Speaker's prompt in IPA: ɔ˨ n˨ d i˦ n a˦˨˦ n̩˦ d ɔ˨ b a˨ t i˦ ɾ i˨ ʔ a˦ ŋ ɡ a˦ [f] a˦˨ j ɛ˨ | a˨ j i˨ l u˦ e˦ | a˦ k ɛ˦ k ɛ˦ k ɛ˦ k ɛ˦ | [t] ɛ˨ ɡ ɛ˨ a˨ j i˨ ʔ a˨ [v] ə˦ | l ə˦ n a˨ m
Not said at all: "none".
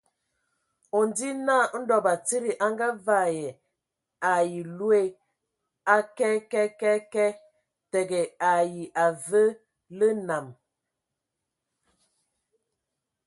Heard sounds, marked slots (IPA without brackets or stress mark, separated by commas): v, t, v